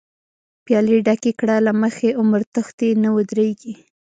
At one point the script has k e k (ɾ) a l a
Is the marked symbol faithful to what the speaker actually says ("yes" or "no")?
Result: no